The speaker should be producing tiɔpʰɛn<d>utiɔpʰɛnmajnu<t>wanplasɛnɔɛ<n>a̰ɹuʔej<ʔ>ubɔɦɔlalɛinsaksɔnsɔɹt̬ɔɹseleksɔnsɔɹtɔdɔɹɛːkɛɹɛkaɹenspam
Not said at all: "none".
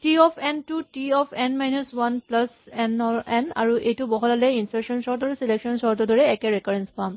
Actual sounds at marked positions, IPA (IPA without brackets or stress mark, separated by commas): t, s, n, t